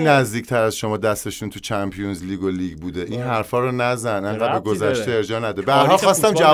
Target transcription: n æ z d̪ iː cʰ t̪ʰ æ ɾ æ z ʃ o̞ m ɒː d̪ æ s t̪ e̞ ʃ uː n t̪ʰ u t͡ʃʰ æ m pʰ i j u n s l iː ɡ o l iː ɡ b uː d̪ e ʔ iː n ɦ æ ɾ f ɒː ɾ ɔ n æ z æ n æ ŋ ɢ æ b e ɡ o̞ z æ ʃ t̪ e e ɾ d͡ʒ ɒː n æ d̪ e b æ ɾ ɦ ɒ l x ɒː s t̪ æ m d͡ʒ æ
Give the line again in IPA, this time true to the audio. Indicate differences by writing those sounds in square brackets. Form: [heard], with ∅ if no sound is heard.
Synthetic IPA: n æ z d̪ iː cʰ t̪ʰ æ ɾ æ z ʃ o̞ m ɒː d̪ æ s t̪ e̞ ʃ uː n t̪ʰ u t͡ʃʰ æ m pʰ i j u n [z] l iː ɡ o l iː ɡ b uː d̪ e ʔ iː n ɦ æ ɾ f ɒː ɾ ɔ n æ z æ n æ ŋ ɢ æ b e ɡ o̞ z æ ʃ t̪ e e ɾ d͡ʒ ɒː n æ d̪ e b æ ɾ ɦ ɒ l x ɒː s t̪ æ m d͡ʒ æ